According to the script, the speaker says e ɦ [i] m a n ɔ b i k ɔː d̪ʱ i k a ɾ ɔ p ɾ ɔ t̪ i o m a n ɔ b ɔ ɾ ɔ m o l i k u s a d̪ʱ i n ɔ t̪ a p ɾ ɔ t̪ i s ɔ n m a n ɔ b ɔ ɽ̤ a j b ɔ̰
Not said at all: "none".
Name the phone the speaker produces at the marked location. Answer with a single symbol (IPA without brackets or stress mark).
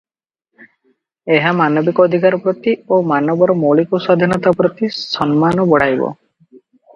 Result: a